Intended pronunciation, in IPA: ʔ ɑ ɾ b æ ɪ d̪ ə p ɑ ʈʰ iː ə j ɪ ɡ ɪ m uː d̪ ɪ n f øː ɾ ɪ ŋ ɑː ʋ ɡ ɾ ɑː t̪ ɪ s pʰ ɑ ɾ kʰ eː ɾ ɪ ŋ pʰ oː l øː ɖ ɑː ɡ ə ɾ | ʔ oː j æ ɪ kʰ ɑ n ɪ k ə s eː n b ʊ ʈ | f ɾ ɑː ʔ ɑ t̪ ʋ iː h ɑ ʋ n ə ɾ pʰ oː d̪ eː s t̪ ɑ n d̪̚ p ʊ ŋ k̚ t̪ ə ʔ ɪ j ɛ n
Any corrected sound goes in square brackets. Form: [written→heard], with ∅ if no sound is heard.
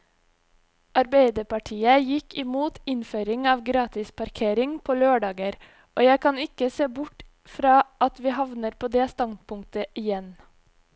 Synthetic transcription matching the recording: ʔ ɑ ɾ b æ ɪ d̪ ə p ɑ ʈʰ iː ə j ɪ [ɡ→k] ɪ m uː [d̪→t̪] ɪ n f øː ɾ ɪ ŋ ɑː ʋ ɡ ɾ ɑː t̪ ɪ s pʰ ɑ ɾ kʰ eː ɾ ɪ ŋ pʰ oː l øː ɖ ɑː ɡ ə ɾ | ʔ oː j æ ɪ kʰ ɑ n ɪ k ə s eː [n→∅] b ʊ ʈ | f ɾ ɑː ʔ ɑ t̪ ʋ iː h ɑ ʋ n ə ɾ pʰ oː d̪ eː s t̪ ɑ n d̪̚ p ʊ ŋ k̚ t̪ ə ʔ ɪ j ɛ n